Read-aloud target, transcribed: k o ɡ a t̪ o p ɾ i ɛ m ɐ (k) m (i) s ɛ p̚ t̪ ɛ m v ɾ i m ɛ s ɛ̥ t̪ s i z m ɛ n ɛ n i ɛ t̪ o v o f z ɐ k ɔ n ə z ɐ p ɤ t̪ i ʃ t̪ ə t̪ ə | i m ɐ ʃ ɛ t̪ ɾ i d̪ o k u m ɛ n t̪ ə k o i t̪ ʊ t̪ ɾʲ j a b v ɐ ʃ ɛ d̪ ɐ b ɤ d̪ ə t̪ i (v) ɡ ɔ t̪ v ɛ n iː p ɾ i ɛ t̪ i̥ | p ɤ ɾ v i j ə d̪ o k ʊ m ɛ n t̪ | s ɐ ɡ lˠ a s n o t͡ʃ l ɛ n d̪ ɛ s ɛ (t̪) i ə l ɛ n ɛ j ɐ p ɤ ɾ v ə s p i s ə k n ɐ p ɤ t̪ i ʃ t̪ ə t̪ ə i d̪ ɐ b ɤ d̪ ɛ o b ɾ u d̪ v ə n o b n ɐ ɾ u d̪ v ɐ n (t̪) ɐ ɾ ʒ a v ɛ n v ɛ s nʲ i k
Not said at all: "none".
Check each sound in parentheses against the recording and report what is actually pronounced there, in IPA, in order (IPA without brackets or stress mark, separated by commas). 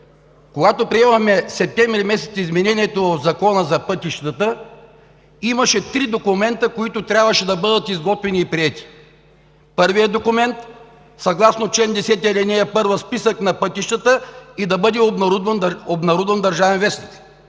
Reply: x, ɛ, z, t̪, d̪